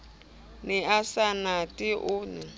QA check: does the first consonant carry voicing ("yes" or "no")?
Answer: yes